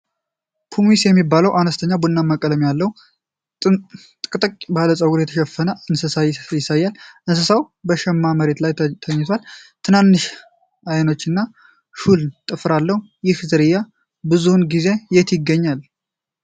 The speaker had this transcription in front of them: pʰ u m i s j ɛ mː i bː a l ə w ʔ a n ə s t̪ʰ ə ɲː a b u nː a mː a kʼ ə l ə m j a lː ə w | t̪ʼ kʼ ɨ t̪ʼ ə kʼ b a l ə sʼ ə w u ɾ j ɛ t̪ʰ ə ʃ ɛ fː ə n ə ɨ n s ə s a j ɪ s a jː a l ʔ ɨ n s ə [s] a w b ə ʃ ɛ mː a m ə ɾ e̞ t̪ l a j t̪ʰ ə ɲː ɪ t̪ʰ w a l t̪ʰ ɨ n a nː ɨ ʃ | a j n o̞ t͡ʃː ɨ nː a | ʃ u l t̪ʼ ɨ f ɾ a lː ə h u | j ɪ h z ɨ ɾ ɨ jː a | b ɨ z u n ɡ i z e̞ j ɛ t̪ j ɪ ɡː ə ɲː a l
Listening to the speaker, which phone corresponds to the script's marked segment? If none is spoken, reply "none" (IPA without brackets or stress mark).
s